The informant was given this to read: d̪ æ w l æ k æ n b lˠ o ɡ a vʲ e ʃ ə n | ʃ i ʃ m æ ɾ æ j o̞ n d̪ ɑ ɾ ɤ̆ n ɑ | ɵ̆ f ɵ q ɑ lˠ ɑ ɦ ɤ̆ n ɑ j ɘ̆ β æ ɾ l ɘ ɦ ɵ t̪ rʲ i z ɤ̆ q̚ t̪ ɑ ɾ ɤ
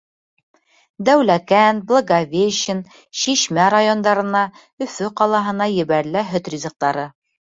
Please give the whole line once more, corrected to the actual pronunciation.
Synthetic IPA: d̪ æ w l æ k æ n b lˠ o ɡ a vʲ e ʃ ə n | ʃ i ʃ m æ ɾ a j o̞ n d̪ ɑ ɾ ɤ̆ n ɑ | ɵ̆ f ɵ q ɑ lˠ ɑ ɦ ɤ̆ n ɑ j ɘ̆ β æ ɾ l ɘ ɦ ɵ t̪ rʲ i z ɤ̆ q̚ t̪ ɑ ɾ ɤ